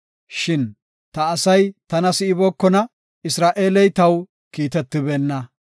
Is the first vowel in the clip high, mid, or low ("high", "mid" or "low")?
high